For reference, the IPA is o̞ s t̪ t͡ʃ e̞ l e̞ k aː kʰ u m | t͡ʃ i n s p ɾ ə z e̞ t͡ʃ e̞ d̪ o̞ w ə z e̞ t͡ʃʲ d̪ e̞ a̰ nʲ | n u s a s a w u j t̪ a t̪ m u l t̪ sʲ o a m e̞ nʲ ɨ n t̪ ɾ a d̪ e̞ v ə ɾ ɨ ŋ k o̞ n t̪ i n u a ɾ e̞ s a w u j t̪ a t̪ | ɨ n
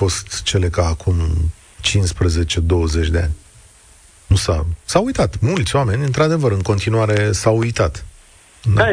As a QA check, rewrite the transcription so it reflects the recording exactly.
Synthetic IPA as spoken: o̞ s t̪ t͡ʃ e̞ l e̞ k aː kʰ u m | t͡ʃ i n s p ɾ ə z e̞ t͡ʃ e̞ d̪ o̞ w ə z e̞ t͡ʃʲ d̪ e̞ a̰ nʲ | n u s a s a w u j t̪ a t̪ m u l t̪ sʲ o a m e̞ nʲ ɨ n t̪ ɾ a d̪ e̞ v ə ɾ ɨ ŋ k o̞ n t̪ i n u a ɾ e̞ s a w u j t̪ a t̪ | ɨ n